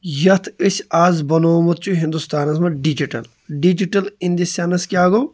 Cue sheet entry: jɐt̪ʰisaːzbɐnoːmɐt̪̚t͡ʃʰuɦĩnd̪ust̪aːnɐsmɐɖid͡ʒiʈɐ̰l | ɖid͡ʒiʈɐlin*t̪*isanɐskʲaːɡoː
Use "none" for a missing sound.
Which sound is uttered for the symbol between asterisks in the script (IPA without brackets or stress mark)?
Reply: d̪